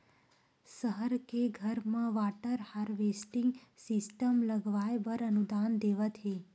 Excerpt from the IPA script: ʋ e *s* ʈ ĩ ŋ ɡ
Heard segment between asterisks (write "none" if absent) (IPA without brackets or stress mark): s